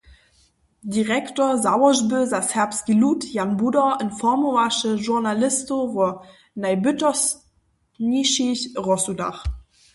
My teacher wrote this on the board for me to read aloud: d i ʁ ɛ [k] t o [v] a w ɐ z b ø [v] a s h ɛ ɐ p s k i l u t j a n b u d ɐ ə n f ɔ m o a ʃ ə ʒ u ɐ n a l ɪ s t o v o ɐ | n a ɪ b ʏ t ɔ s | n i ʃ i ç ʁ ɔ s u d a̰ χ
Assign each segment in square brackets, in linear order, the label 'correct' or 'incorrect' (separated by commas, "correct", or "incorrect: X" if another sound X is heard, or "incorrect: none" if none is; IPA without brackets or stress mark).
correct, incorrect: z, incorrect: z